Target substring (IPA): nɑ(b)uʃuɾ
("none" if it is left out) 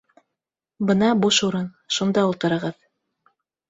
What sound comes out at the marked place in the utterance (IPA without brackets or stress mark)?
b